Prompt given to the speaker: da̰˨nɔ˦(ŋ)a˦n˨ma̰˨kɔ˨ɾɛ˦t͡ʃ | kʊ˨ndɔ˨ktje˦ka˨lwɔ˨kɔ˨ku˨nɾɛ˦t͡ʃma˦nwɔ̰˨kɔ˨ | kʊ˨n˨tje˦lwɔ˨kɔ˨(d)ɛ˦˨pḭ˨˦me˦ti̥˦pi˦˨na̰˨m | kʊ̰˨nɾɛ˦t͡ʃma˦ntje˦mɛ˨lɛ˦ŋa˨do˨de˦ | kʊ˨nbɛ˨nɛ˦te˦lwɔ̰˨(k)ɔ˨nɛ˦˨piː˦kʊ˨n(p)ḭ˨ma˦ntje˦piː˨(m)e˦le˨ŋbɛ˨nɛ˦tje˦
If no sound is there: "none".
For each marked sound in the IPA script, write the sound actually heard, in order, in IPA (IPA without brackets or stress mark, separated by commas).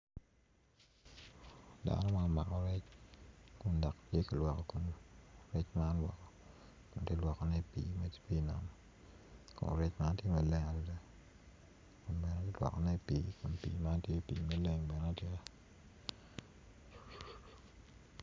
m, n, k, p, m